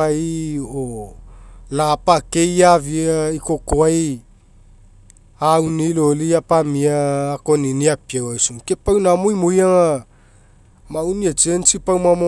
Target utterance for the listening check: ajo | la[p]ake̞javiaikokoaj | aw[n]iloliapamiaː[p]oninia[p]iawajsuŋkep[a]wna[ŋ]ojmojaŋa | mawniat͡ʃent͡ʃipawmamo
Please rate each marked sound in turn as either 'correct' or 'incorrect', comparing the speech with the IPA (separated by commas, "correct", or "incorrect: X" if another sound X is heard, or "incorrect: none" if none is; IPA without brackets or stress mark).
correct, correct, incorrect: k, correct, correct, incorrect: m